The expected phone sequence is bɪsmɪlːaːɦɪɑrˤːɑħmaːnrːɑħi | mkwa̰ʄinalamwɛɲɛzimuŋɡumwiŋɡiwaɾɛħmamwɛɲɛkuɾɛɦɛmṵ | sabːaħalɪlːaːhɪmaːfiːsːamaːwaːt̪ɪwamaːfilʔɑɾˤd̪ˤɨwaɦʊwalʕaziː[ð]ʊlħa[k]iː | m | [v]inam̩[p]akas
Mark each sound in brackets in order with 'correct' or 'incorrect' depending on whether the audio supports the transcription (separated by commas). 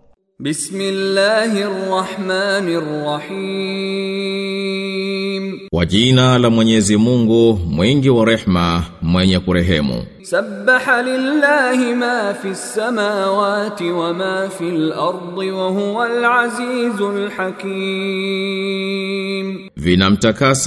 incorrect, correct, correct, incorrect